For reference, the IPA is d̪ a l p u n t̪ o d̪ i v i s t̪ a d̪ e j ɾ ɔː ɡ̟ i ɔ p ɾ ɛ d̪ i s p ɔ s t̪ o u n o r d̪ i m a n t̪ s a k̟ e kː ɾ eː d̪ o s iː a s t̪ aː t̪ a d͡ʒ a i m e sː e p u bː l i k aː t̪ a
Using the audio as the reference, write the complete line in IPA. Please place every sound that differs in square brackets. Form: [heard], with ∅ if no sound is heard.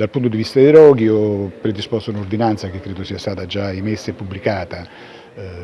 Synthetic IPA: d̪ a l p u n t̪ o d̪ i v i s t̪ a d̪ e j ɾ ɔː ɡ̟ i ɔ p ɾ [e] d̪ i s p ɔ s t̪ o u n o r d̪ i [n] a n t̪ s a k̟ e kː ɾ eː d̪ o s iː a s t̪ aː t̪ a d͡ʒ a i m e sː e p u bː l i k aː t̪ a